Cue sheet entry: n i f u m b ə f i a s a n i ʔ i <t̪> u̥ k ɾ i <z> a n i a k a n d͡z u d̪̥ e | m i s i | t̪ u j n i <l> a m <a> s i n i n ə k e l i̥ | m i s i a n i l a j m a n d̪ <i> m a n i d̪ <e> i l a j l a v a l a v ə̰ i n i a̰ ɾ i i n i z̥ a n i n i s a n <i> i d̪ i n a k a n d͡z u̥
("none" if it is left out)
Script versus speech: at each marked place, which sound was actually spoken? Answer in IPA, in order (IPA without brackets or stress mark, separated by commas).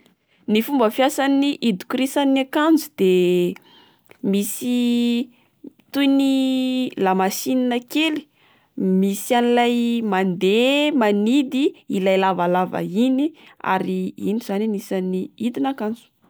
d̪, s, l, a, e, i, i